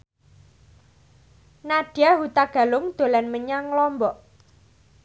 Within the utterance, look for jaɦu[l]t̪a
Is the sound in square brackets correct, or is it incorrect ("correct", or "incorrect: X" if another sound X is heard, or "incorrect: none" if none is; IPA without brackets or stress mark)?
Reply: incorrect: none